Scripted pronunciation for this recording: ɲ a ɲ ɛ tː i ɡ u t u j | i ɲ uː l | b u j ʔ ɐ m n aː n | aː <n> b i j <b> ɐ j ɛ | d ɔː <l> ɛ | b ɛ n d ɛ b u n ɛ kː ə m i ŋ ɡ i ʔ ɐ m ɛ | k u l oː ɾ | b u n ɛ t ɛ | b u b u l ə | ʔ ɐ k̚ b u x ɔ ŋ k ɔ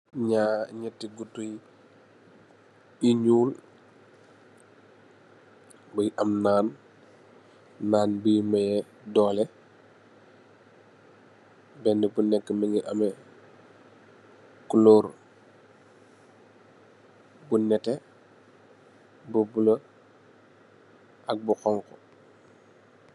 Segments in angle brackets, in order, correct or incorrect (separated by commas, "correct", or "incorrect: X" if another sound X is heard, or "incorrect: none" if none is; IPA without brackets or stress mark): correct, incorrect: m, correct